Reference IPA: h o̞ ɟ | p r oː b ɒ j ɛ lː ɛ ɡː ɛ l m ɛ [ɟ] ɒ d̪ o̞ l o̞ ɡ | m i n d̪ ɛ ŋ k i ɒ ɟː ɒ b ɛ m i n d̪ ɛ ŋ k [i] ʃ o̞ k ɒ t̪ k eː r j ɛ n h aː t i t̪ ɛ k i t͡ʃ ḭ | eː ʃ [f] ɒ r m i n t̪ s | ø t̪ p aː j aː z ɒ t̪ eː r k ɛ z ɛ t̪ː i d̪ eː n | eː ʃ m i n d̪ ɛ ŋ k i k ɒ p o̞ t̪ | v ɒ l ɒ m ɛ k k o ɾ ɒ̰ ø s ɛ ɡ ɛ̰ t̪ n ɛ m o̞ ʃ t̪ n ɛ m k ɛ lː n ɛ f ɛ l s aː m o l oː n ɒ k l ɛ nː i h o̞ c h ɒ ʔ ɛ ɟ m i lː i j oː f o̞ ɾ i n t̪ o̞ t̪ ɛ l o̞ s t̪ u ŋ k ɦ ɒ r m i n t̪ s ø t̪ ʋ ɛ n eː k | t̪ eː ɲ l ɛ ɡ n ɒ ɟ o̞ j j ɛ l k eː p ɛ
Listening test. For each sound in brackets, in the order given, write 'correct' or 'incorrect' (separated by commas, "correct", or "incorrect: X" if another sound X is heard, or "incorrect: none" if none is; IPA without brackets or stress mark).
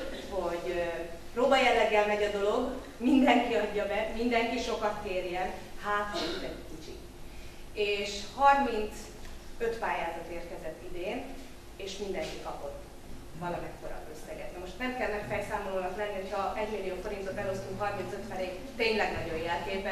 correct, correct, incorrect: h